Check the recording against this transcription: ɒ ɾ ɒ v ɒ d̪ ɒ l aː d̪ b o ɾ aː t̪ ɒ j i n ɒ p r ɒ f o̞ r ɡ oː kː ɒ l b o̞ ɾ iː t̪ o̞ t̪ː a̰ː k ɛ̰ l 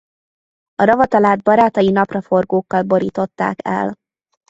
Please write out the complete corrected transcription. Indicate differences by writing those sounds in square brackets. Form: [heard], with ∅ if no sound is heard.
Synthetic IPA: ɒ ɾ ɒ v ɒ [t̪] ɒ l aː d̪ b [ɒ] ɾ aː t̪ ɒ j i n ɒ p r ɒ f o̞ r ɡ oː kː ɒ l b o̞ ɾ iː t̪ o̞ t̪ː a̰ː k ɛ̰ l

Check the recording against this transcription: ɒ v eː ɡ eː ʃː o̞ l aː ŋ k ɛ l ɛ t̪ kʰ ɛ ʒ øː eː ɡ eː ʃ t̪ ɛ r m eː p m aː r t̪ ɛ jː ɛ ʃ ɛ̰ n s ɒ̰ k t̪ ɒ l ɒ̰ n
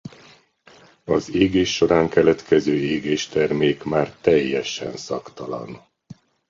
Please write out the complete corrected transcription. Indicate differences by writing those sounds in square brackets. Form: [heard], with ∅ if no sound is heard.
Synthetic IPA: ɒ [z] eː ɡ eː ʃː o̞ [ɾ] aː ŋ k ɛ l ɛ t̪ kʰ ɛ [z] øː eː ɡ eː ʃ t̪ ɛ r m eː [k] m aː r t̪ ɛ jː ɛ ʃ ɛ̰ n s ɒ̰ k t̪ ɒ l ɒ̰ n

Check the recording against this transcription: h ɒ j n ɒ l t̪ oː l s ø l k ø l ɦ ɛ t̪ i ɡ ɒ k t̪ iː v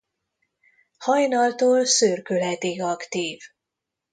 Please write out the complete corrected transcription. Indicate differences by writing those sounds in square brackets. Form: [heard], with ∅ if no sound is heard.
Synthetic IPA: h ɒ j n ɒ l t̪ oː l s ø [r] k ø l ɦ ɛ t̪ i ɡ ɒ k t̪ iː v

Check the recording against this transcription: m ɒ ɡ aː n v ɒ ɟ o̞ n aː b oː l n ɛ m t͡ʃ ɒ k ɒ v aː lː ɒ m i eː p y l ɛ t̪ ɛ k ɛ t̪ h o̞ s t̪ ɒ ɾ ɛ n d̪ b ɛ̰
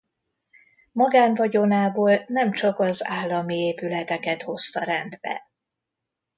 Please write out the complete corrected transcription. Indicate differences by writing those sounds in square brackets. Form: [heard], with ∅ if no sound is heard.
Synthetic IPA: m ɒ ɡ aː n v ɒ ɟ o̞ n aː b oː l n ɛ m t͡ʃ ɒ k ɒ [z] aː lː ɒ m i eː p y l ɛ t̪ ɛ k ɛ t̪ h o̞ s t̪ ɒ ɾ ɛ n d̪ b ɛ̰

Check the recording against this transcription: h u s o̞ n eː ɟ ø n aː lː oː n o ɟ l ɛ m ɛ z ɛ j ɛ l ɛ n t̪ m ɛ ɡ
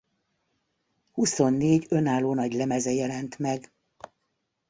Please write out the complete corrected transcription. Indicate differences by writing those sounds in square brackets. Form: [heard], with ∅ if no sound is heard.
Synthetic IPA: h u s o̞ [nː] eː ɟ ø n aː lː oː n [ɒ] ɟ l ɛ m ɛ z ɛ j ɛ l ɛ n t̪ m ɛ ɡ

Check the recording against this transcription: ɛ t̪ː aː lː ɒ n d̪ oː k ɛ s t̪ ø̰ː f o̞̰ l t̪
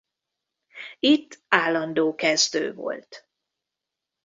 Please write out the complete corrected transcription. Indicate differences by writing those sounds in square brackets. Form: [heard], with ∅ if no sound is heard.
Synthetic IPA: [i] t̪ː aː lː ɒ n d̪ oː k ɛ [z] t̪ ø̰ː [v] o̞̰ l t̪

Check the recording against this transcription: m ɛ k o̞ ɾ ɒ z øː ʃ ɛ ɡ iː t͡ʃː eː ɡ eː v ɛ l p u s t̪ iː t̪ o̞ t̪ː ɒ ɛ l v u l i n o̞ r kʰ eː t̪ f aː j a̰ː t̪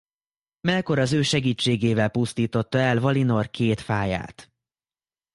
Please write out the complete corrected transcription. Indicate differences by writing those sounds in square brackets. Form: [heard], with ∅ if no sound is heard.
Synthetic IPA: m ɛ k o̞ ɾ ɒ z øː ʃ ɛ ɡ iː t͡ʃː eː ɡ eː v ɛ l p u s t̪ iː t̪ o̞ t̪ː ɒ ɛ l v [ɒ] l i n o̞ r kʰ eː t̪ f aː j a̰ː t̪

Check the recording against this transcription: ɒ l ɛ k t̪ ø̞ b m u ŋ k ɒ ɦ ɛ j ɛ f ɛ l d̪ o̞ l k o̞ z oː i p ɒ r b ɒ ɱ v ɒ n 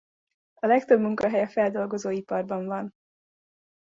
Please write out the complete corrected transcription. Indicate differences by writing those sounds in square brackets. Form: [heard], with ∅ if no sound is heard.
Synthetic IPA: ɒ l ɛ k t̪ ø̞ b m u ŋ k ɒ ɦ ɛ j ɛ f ɛ l d̪ o̞ l [ɡ] o̞ z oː i p ɒ r b ɒ ɱ v ɒ n

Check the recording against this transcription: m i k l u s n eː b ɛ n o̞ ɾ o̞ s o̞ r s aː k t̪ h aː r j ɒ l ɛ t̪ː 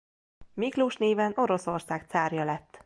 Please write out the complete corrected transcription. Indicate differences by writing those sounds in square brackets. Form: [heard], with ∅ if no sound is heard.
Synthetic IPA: m i k l u [ʃ] n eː [v] ɛ n o̞ ɾ o̞ s o̞ r s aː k t̪ [s] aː r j ɒ l ɛ t̪ː

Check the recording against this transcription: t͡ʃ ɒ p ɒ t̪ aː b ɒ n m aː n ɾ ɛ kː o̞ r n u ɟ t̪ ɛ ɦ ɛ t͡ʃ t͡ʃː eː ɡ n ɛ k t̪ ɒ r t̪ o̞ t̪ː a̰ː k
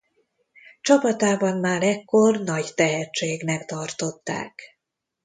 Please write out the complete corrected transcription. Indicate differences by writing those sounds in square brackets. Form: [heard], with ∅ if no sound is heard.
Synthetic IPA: t͡ʃ ɒ p ɒ t̪ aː b ɒ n m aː [∅] ɾ ɛ kː o̞ r n [ɒ] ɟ t̪ ɛ ɦ ɛ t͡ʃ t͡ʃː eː ɡ n ɛ k t̪ ɒ r t̪ o̞ t̪ː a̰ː k

